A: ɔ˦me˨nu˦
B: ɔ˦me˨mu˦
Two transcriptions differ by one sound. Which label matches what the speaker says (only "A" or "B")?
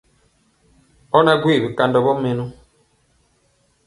A